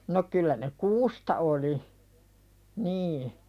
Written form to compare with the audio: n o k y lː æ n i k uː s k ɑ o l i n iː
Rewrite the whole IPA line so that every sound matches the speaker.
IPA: n o k y lː æ n e k uː s t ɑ o l i n iː